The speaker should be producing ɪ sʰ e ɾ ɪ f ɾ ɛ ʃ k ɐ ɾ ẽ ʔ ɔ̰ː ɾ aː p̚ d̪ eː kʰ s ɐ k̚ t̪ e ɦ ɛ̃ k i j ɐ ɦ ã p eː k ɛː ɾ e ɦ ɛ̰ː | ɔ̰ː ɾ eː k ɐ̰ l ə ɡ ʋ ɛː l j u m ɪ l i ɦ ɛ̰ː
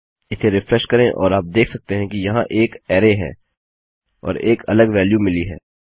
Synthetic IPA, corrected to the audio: ɪ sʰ e ɾ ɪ f ɾ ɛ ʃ k ɐ ɾ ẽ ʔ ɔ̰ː ɾ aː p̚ d̪ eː kʰ s ɐ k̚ t̪ e ɦ ɛ̃ k i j ɐ ɦ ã ʔ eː k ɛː ɾ e ɦ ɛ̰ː | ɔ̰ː ɾ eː k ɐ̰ l ə ɡ ʋ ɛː l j u m ɪ l i ɦ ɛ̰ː